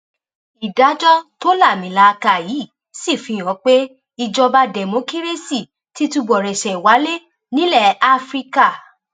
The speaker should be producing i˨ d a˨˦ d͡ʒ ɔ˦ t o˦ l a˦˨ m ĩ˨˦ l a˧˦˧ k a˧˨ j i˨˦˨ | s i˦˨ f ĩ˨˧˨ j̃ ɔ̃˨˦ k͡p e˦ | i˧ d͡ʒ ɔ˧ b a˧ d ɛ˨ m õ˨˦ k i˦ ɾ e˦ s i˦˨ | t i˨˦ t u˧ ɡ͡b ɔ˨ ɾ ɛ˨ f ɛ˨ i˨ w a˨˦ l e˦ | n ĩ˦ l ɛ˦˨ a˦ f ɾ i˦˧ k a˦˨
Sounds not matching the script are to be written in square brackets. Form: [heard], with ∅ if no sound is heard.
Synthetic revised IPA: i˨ d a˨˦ d͡ʒ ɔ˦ t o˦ l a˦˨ m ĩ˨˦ l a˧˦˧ k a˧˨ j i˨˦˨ | s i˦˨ f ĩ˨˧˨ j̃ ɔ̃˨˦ k͡p e˦ | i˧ d͡ʒ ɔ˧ b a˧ d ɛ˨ m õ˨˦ k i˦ ɾ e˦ s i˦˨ | t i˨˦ t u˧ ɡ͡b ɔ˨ ɾ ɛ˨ [ʃ] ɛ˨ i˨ w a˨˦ l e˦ | n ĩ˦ l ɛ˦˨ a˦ f ɾ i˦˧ k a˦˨

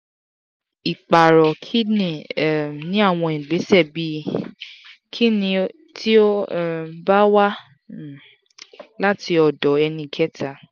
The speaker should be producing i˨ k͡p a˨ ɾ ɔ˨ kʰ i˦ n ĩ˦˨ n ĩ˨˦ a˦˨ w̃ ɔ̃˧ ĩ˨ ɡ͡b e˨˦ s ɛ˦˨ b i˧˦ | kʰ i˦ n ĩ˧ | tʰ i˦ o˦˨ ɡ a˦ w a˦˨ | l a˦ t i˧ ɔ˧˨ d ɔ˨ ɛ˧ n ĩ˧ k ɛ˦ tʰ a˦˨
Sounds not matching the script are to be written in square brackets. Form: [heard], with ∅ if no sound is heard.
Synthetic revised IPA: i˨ k͡p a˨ ɾ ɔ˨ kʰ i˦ n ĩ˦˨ n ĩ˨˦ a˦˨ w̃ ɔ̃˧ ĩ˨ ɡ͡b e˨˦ s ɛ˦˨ b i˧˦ | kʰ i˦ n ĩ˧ | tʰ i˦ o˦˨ [b] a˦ w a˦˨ | l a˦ t i˧ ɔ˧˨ d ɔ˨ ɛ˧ n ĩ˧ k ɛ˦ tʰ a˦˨

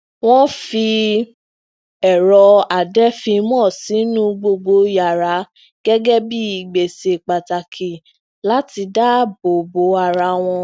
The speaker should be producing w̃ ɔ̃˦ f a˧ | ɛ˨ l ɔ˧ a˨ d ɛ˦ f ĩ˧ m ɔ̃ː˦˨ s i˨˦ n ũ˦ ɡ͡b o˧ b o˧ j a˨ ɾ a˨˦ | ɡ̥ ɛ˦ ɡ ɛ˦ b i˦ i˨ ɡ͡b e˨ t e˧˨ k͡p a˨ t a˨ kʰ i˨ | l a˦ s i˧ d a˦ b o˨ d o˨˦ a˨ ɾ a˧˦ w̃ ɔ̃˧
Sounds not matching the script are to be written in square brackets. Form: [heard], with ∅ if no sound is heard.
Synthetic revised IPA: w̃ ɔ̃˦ f [i˧] | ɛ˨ [ɾ] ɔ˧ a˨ d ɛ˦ f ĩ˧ m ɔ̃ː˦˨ s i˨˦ n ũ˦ ɡ͡b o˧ [ɡ͡b] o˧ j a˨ ɾ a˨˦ | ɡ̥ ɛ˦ ɡ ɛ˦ b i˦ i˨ ɡ͡b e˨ [s] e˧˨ k͡p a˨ t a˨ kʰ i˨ | l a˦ [t] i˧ d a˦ b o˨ [b] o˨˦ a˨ ɾ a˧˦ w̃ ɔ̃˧

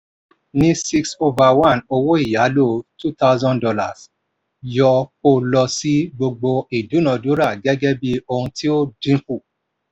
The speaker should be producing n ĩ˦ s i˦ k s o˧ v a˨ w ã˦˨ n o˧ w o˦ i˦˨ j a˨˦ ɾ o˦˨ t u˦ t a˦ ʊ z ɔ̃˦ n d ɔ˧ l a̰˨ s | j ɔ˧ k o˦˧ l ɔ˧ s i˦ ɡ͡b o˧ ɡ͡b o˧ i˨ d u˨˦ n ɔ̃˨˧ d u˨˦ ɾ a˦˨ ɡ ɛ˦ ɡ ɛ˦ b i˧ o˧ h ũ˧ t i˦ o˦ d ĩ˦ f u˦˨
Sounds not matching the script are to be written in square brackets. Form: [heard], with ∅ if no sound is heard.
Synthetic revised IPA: n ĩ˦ s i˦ k s o˧ v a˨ w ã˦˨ n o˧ w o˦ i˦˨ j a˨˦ [l] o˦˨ t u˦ t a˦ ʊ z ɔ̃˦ n d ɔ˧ l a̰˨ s | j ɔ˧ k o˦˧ l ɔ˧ s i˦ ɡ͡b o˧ ɡ͡b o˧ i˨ d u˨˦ n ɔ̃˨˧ d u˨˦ ɾ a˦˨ ɡ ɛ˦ ɡ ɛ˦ b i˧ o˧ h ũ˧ t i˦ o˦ d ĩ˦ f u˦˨

